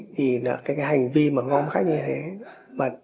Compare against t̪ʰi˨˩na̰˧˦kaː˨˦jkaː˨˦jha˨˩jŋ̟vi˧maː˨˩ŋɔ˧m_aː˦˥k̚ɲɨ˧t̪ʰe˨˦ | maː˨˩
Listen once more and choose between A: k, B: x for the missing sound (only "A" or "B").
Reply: B